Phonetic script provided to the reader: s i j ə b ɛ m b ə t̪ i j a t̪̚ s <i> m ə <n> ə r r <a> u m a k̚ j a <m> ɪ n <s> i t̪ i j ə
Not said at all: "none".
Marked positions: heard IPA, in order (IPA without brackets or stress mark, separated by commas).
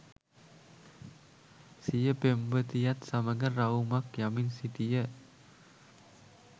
a, ŋ, a, m, s